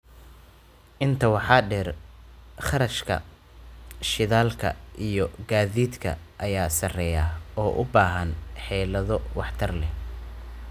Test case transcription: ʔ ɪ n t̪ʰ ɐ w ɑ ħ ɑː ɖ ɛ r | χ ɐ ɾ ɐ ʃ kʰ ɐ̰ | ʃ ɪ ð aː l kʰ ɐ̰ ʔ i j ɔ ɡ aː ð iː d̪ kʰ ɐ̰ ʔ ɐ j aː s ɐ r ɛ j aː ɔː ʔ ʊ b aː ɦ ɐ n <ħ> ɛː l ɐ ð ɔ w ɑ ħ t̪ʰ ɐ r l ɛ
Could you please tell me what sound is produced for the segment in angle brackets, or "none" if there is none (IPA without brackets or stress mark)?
ħ